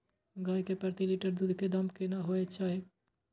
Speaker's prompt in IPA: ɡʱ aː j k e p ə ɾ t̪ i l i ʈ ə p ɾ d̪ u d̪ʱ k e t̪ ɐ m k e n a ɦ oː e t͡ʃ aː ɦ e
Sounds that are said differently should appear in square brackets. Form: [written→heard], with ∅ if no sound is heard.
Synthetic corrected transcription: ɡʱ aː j k e p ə ɾ t̪ i l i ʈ ə [p→∅] ɾ d̪ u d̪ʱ k e [t̪→d̪] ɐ m k e n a ɦ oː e t͡ʃ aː ɦ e